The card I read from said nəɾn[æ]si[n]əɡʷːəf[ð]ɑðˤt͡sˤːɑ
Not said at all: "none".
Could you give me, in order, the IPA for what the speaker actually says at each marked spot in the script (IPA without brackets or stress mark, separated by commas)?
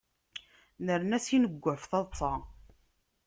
æ, n, θ